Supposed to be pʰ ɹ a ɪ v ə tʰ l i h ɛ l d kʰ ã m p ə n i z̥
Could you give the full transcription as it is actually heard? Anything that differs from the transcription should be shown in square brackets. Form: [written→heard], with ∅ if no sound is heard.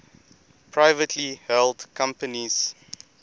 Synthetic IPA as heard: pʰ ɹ a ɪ v ə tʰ l i h ɛ l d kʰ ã m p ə n i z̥